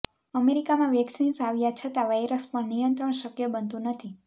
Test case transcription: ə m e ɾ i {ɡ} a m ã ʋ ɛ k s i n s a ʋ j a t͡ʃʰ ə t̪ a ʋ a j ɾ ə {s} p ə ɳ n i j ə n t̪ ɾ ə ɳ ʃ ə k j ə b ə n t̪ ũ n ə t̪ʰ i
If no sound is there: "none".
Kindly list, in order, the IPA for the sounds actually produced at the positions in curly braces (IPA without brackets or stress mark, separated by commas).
k, s